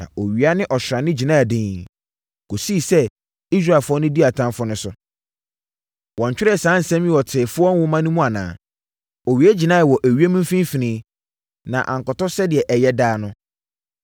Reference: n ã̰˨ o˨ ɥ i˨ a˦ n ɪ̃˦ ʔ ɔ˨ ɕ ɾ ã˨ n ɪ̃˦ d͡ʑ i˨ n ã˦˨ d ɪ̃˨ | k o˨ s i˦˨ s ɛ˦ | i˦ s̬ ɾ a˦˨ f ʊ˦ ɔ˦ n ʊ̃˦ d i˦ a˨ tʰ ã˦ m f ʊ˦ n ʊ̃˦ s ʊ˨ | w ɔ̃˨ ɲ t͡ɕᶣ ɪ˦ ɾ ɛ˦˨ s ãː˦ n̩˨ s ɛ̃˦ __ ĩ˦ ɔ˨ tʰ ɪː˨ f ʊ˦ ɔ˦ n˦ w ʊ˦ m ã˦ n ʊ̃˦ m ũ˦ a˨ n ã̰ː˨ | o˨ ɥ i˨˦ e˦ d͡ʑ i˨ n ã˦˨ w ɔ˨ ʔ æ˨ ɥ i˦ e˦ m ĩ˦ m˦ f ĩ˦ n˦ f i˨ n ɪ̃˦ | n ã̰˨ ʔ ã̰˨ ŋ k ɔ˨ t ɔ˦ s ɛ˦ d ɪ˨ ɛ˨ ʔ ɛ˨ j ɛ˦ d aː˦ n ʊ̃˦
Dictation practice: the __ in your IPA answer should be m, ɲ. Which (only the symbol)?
m